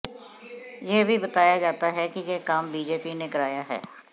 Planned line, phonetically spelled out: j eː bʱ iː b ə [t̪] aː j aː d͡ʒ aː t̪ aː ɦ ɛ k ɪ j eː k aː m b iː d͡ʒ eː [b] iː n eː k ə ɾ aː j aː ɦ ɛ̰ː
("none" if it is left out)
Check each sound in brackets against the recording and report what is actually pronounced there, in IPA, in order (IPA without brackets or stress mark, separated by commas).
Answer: t̪, p